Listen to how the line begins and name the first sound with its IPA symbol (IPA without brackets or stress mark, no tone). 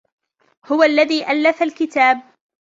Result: h